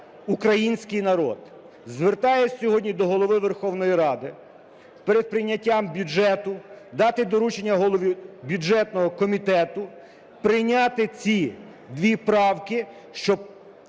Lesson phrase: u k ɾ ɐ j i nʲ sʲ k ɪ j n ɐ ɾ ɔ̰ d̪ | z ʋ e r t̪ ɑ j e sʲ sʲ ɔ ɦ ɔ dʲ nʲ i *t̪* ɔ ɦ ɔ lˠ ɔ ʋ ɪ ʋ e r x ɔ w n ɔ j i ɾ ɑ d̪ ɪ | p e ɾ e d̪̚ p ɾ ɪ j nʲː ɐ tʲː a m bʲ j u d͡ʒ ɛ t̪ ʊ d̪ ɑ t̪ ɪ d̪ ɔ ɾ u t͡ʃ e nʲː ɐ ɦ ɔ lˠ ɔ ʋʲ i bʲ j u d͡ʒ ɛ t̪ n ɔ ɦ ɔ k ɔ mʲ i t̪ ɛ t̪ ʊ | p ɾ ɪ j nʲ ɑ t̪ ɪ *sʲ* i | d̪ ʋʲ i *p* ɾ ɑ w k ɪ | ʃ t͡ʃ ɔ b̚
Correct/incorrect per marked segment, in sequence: incorrect: d̪, incorrect: t͡sʲ, correct

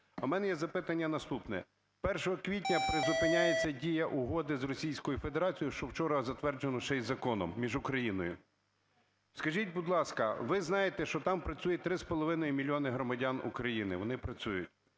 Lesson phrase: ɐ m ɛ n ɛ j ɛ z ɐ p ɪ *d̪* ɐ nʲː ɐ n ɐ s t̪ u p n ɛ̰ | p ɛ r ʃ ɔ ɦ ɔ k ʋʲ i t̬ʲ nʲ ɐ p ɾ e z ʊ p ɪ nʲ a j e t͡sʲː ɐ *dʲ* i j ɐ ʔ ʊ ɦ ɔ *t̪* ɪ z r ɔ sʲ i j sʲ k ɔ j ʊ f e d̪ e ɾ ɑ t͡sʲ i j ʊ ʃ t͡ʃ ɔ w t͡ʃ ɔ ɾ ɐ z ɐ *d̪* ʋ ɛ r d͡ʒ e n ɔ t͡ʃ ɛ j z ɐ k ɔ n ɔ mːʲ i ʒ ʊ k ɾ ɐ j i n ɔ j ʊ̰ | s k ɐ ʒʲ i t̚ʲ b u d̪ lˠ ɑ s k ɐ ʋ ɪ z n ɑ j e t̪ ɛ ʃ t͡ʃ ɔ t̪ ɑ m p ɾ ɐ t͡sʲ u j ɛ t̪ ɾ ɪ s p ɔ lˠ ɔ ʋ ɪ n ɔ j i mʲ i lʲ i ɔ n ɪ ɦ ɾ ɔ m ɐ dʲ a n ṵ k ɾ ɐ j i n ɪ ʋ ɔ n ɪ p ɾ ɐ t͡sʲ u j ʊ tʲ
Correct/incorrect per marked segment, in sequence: incorrect: t̪, correct, incorrect: d̪, incorrect: t̪

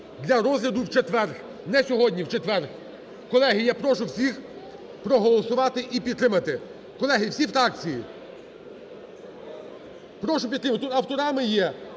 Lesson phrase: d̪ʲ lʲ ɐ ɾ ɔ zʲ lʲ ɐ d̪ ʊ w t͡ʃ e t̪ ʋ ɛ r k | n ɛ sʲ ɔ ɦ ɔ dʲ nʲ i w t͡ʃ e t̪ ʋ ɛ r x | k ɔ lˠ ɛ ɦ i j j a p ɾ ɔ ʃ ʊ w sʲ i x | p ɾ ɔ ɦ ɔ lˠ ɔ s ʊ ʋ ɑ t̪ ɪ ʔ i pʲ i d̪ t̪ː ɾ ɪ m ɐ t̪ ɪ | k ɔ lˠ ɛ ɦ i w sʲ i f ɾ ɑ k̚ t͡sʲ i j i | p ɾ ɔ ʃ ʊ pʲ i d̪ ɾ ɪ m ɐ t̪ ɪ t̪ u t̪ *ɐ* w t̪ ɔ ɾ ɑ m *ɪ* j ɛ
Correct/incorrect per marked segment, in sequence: correct, correct

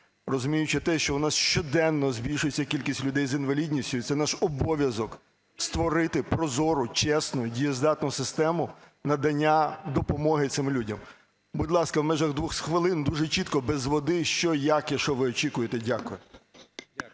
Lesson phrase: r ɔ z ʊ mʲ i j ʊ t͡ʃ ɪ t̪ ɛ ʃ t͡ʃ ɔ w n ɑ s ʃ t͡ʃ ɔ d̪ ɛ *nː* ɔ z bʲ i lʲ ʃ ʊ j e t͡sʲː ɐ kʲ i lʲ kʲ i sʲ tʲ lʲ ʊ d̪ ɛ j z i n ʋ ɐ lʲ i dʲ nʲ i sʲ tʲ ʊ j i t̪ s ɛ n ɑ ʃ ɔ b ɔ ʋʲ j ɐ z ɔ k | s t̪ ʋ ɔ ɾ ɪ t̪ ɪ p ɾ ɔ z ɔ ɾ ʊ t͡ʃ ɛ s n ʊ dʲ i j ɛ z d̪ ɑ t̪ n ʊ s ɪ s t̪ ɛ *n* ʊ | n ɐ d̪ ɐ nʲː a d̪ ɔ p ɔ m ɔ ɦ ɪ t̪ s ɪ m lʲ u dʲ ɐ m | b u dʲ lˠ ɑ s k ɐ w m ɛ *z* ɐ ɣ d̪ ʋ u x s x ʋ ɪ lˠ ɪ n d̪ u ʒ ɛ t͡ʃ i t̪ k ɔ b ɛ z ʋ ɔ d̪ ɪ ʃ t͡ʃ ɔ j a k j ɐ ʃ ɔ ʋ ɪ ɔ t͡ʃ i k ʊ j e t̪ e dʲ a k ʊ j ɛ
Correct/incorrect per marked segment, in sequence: correct, incorrect: m, incorrect: ʒ

